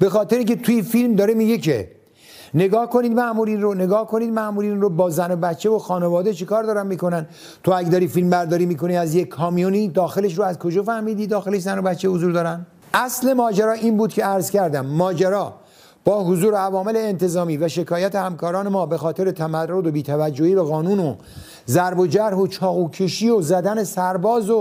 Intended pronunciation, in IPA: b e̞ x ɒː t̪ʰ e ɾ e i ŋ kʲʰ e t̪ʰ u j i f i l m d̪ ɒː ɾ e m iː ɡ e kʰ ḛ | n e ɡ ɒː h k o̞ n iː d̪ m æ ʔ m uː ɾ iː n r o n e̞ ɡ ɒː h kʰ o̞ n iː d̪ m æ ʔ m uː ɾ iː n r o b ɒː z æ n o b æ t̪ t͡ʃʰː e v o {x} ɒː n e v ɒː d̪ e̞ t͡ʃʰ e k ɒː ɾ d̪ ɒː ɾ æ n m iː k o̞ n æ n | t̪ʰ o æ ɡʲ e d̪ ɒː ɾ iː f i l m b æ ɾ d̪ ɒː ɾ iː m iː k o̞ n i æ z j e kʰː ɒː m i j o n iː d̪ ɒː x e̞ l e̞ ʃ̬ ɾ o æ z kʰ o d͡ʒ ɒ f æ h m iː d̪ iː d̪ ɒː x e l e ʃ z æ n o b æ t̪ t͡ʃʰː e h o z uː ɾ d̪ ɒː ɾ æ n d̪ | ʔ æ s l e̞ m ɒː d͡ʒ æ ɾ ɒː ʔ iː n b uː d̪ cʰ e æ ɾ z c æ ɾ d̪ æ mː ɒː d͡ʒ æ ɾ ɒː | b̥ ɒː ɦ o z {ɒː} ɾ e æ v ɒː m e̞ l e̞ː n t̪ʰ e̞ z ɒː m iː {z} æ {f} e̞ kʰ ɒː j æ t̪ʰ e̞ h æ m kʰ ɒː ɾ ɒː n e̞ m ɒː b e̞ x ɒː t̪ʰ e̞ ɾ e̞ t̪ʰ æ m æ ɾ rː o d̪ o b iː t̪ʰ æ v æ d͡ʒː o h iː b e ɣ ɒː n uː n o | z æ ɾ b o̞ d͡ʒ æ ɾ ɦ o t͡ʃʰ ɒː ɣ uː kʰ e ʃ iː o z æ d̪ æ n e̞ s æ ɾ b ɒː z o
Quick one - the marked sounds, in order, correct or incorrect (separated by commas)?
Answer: correct, incorrect, incorrect, incorrect